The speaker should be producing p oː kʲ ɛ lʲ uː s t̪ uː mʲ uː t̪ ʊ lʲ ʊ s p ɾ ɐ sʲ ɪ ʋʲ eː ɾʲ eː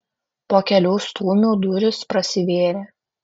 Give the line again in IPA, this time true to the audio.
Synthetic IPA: p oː kʲ ɛ lʲ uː s t̪ uː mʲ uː d̪ ʊ ɾʲ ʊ s p ɾ ɐ sʲ ɪ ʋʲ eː ɾʲ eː